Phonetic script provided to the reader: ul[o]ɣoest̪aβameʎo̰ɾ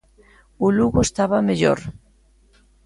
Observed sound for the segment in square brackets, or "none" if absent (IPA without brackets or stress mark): u